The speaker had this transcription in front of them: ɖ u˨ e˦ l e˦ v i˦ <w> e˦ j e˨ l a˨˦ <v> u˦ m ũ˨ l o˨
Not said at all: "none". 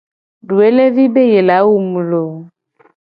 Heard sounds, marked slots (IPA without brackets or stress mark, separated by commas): b, w